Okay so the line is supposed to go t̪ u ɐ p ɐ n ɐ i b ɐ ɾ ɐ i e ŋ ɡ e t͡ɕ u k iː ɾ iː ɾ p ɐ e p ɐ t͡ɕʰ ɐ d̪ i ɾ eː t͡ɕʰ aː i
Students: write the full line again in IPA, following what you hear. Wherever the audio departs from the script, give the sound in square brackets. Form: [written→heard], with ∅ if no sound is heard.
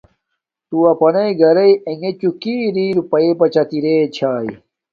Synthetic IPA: t̪ u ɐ p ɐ n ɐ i [b→ɡ] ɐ ɾ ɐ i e ŋ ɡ e t͡ɕ u k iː ɾ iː ɾ p ɐ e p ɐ [t͡ɕʰ→t͡ɕ] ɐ [d̪→t̪] i ɾ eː t͡ɕʰ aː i